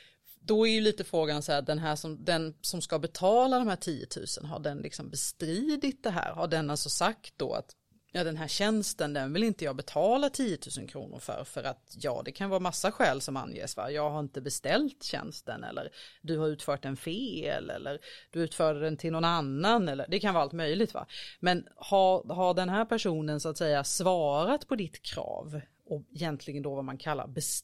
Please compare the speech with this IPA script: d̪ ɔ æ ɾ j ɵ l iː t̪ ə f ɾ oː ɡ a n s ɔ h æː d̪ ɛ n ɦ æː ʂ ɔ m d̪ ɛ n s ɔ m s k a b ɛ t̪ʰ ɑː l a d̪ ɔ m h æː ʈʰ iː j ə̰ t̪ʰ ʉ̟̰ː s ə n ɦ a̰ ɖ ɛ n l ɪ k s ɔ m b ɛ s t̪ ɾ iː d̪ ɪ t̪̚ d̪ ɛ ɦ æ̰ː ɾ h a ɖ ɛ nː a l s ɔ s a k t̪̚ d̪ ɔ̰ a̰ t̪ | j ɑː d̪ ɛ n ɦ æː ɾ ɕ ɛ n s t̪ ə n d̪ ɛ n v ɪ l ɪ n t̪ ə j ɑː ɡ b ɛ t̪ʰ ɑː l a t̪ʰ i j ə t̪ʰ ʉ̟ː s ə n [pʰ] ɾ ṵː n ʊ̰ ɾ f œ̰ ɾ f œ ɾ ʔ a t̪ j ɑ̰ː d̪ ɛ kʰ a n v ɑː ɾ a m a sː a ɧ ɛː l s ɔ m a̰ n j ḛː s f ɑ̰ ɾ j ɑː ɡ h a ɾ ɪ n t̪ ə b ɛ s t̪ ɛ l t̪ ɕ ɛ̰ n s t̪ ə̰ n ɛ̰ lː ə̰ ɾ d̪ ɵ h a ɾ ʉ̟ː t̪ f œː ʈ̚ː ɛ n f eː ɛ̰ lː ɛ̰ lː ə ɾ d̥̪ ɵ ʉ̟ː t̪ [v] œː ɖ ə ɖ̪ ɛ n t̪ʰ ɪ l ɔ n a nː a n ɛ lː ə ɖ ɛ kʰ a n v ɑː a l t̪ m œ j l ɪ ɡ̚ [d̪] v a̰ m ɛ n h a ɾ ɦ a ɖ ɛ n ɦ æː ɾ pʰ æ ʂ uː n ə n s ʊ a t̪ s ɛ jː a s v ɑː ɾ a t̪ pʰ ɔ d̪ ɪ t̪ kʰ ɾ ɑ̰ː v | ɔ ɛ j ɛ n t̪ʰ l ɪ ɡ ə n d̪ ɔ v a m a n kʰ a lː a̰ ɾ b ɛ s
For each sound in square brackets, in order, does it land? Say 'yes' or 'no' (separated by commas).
no, no, no